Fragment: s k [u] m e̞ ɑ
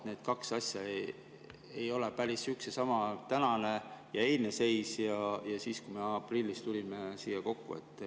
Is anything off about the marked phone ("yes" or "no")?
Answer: no